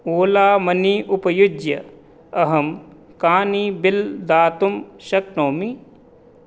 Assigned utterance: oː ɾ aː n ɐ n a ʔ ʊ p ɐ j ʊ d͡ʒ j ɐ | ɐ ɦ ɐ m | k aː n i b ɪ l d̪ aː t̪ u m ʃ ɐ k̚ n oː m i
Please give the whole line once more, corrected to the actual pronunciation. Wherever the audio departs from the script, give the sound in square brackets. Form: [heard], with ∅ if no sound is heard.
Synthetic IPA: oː [l] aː [m] ɐ n [i] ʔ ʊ p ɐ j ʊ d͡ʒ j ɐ | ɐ ɦ ɐ m | k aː n i b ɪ l d̪ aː t̪ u m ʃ ɐ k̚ n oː m i